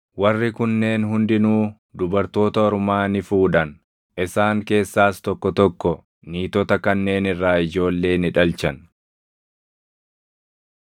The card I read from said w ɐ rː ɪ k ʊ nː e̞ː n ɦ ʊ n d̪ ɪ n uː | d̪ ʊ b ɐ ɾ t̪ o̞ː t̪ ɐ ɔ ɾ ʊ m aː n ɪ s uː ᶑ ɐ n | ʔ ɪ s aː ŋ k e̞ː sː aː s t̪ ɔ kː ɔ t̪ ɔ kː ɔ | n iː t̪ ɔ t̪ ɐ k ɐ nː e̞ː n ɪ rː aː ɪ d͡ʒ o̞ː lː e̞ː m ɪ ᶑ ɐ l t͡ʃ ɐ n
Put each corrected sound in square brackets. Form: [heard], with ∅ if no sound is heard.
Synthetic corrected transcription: w ɐ rː ɪ k ʊ nː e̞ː n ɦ ʊ n d̪ ɪ n uː | d̪ ʊ b ɐ ɾ t̪ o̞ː t̪ ɐ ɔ ɾ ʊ m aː n ɪ [f] uː ᶑ ɐ n | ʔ ɪ s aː ŋ k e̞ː sː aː s t̪ ɔ kː ɔ t̪ ɔ kː ɔ | n iː t̪ ɔ t̪ ɐ k ɐ nː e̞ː n ɪ rː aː ɪ d͡ʒ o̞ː lː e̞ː [n] ɪ ᶑ ɐ l t͡ʃ ɐ n